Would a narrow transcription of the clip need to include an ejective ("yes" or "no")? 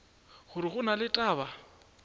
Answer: yes